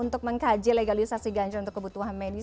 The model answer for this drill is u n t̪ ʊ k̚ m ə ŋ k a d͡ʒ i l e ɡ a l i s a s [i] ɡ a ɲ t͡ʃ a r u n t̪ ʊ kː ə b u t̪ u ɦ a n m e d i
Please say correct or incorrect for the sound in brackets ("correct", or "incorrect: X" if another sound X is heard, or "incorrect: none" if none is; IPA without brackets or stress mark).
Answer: correct